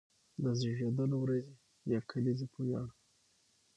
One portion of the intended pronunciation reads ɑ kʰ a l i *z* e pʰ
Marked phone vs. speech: correct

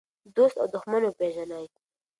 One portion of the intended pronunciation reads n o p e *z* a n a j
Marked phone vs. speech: incorrect: ʒ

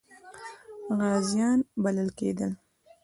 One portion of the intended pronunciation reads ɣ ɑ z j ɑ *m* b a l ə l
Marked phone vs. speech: incorrect: n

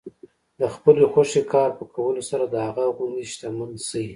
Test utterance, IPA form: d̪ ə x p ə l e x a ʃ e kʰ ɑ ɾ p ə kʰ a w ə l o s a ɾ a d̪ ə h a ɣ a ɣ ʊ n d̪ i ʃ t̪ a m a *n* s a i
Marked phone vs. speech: correct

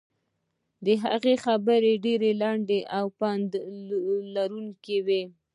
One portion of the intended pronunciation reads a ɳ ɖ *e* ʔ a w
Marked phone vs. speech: correct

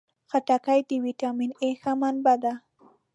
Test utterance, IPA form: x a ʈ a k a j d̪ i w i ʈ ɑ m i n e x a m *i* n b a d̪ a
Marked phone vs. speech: incorrect: a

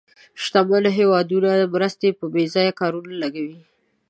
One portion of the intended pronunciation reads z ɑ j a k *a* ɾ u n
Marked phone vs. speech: incorrect: ɑ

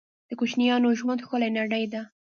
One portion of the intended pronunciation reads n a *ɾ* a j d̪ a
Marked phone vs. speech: incorrect: ɽ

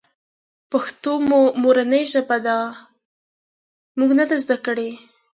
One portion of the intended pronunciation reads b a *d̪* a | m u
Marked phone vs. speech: correct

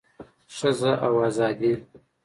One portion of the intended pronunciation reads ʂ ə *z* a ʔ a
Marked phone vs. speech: correct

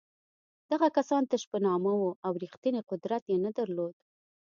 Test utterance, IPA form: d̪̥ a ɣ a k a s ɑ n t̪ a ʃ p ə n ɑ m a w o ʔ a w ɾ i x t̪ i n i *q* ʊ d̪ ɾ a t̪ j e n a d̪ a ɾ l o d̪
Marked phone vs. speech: correct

